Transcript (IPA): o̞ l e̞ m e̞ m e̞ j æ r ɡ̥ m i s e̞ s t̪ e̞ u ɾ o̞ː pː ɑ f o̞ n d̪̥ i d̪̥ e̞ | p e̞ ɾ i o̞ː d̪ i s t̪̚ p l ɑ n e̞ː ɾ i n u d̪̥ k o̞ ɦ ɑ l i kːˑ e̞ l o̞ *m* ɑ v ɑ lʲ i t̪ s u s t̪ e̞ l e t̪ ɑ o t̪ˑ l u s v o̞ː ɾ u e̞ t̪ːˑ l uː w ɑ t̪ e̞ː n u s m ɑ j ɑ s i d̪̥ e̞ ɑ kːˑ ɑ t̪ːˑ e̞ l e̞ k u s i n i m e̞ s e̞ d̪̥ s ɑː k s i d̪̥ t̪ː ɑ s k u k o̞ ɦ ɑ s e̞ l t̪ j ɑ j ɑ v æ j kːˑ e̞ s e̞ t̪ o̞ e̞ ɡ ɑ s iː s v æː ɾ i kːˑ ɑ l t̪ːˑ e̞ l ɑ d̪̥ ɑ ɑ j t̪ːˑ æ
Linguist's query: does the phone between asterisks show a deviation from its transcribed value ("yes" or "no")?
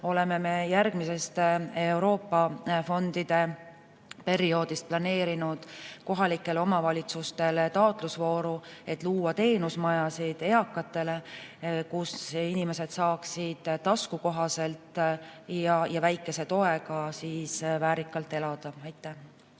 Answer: no